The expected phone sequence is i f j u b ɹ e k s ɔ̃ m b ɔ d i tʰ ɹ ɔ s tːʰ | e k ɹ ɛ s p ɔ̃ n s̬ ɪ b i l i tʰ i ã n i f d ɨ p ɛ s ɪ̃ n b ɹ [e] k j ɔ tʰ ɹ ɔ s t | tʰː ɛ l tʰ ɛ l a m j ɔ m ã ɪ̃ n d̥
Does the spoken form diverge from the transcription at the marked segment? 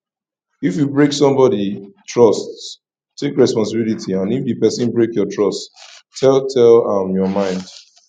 no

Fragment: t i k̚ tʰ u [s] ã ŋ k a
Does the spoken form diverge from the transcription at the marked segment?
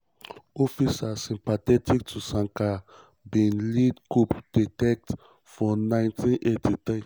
no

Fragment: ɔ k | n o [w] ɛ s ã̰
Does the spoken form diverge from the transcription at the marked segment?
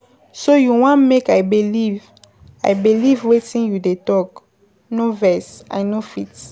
yes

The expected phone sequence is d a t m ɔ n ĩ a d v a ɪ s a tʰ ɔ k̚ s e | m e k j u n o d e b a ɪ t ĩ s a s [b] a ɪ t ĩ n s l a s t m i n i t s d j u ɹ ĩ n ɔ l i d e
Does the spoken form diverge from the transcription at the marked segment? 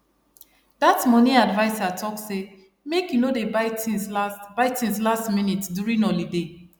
no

